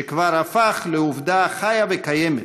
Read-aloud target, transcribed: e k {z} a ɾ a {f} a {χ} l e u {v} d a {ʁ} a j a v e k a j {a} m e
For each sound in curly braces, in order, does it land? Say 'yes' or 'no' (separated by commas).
no, yes, yes, yes, no, no